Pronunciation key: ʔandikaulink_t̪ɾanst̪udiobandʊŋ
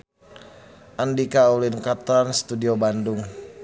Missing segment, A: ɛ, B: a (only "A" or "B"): B